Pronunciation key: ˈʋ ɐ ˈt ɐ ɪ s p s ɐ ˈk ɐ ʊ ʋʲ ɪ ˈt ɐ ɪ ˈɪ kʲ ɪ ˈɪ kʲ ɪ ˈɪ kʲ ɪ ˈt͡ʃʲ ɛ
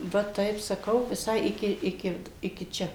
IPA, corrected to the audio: ˈʋ ɐ ˈt ɐ ɪ p s ɐ ˈk ɐ ʊ ʋʲ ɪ ˈs ɐ ɪ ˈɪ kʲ ɪ ˈɪ kʲ ɪ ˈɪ kʲ ɪ ˈt͡ʃʲ ɛ